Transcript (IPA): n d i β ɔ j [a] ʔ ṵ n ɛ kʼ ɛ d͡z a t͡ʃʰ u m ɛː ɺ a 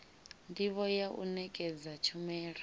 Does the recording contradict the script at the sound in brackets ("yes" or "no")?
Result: no